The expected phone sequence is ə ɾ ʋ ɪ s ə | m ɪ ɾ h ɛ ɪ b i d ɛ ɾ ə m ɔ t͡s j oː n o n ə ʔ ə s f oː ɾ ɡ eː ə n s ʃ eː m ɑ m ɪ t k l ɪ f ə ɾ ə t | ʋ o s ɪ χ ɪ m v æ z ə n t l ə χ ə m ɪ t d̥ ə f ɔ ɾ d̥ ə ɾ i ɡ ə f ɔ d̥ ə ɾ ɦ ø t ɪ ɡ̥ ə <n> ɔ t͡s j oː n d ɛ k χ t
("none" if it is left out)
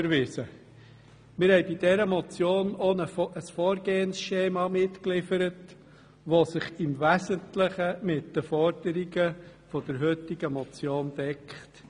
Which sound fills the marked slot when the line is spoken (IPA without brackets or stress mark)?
m